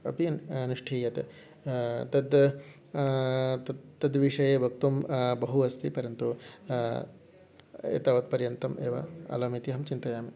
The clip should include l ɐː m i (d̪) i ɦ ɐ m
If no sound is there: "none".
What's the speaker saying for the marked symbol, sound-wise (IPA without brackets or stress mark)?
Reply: t̪